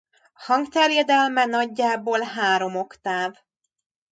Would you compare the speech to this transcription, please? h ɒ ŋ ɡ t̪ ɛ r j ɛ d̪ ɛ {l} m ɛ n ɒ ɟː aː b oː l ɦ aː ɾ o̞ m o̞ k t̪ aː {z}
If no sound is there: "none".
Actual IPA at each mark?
l, v

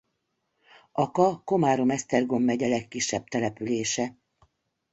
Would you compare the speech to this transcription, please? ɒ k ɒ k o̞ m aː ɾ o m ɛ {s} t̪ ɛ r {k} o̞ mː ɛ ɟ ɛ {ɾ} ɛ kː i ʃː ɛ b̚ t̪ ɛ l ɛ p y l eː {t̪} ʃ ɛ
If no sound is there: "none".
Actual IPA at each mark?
s, ɡ, l, none

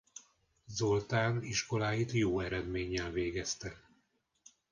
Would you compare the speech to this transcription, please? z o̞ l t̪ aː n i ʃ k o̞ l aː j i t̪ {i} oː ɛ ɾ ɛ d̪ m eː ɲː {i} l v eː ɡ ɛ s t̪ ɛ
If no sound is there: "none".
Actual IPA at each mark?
j, ɛ

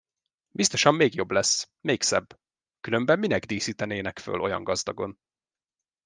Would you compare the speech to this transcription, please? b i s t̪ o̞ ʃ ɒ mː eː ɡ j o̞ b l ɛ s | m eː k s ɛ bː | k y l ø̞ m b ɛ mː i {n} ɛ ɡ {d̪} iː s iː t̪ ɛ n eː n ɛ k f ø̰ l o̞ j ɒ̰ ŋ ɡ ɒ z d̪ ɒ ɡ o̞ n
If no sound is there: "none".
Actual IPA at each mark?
n, d̪

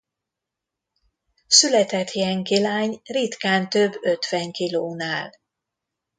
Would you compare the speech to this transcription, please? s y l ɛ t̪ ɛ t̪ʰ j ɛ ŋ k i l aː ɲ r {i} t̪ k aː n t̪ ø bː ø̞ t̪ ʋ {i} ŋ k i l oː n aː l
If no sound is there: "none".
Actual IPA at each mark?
i, ɛ

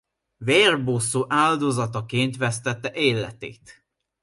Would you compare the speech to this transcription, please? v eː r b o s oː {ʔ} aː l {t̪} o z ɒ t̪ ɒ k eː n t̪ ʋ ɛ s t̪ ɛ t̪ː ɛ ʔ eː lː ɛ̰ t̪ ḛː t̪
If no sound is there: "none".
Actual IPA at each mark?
ʔ, d̪

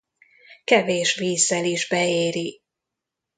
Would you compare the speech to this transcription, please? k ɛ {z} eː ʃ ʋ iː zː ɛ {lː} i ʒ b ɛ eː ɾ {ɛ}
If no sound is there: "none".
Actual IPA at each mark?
v, l, i

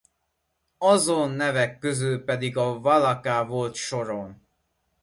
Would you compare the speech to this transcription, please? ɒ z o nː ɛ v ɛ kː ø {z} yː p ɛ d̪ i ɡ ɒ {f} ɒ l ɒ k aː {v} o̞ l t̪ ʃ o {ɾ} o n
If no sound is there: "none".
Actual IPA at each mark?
z, v, v, ɾ

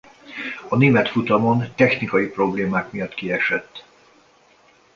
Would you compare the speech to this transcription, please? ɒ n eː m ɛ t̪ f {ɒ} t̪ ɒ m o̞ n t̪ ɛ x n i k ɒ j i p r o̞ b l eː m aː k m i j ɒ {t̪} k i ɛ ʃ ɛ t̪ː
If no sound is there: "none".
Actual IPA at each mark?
u, t̪

